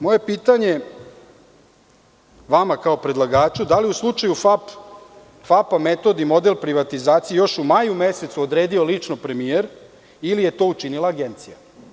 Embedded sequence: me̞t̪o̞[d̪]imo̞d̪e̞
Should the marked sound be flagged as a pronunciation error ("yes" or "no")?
no